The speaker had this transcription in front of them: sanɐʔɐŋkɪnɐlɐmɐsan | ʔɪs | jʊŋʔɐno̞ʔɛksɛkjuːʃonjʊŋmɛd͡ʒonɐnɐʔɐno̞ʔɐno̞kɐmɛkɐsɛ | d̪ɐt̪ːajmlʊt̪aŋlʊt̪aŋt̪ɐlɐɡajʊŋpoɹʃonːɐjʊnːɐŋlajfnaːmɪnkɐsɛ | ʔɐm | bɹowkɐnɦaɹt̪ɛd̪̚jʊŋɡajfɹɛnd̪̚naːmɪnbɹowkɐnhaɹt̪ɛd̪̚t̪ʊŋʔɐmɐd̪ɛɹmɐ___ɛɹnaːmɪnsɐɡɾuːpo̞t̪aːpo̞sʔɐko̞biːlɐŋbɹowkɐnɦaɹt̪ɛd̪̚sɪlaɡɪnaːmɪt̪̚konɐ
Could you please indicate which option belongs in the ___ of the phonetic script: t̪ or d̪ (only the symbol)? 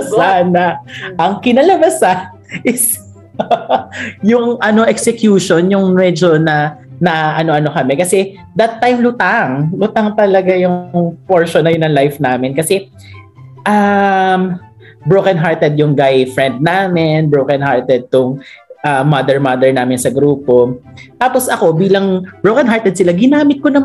d̪